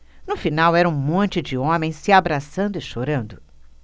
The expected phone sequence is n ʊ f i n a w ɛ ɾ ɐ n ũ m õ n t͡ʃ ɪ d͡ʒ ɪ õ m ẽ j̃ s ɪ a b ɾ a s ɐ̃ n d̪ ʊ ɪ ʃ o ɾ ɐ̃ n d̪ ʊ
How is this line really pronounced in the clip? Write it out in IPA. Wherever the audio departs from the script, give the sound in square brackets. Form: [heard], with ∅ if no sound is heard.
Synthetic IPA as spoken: n ʊ f i n a w ɛ ɾ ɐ [∅] ũ m õ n t͡ʃ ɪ d͡ʒ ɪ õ m ẽ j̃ s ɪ a b ɾ a s ɐ̃ n d̪ ʊ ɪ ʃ o ɾ ɐ̃ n d̪ ʊ